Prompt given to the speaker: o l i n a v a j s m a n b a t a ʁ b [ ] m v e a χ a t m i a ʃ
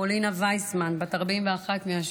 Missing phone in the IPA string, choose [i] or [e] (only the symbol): i